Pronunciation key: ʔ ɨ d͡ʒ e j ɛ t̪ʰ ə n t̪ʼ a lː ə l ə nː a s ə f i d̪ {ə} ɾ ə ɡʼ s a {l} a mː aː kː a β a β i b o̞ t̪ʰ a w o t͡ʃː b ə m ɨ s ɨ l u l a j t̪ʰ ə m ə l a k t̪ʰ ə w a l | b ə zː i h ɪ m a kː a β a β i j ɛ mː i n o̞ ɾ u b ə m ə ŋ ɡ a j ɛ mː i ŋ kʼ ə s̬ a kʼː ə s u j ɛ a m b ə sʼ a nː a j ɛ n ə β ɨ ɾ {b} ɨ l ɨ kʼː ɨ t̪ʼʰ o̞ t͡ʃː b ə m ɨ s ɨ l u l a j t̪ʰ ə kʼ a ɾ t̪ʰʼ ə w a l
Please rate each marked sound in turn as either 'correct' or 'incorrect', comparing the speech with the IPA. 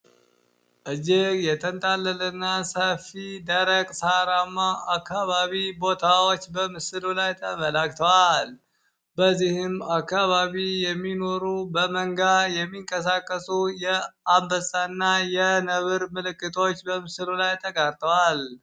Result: correct, incorrect: ɾ, incorrect: m

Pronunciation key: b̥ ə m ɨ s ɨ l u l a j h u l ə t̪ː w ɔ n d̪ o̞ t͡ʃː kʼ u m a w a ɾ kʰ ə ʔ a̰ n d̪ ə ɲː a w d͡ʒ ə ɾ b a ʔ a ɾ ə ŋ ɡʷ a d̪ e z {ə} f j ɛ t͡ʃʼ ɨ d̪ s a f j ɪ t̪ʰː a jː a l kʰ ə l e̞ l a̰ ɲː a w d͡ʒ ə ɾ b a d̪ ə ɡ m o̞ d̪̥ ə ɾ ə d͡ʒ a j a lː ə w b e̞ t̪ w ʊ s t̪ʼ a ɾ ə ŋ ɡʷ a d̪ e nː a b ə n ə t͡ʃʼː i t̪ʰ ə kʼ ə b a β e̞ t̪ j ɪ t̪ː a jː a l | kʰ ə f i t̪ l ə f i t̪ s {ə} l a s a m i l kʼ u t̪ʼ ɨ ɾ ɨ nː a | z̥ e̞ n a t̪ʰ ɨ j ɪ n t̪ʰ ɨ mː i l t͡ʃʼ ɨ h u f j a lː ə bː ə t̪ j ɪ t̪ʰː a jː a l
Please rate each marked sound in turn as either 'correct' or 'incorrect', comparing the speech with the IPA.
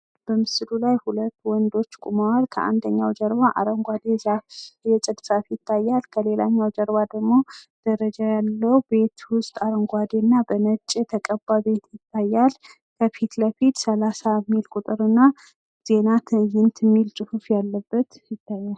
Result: incorrect: a, correct

